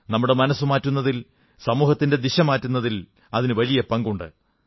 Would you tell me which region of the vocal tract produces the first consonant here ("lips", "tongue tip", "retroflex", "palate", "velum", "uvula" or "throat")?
tongue tip